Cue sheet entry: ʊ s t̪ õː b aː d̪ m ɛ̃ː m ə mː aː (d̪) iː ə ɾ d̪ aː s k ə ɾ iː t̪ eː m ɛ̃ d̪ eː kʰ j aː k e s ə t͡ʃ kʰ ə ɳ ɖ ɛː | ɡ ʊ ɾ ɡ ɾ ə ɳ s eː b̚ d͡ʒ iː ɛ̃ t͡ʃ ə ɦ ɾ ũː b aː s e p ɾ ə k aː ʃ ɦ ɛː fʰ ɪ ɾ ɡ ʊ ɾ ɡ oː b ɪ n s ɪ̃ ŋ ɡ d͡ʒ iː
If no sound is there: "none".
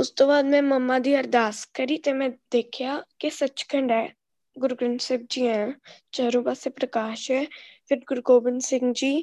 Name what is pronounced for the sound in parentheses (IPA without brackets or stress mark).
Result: d̪